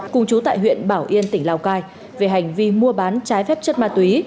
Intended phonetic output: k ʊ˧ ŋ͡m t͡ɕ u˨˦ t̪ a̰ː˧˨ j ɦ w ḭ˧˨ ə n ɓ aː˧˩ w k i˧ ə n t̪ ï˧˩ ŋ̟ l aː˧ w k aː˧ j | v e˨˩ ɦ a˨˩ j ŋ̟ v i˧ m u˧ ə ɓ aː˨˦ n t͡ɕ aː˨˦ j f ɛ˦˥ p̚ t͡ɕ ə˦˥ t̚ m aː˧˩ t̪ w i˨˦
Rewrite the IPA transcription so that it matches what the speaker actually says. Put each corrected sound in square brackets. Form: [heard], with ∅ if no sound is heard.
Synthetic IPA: k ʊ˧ ŋ͡m t͡ɕ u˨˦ t̪ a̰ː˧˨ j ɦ w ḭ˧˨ ə n ɓ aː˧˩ w [ʔ] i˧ ə n t̪ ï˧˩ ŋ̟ l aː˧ w k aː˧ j | v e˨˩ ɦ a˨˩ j ŋ̟ v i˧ m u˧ ə ɓ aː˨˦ n t͡ɕ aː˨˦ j f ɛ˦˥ p̚ t͡ɕ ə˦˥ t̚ m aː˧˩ t̪ w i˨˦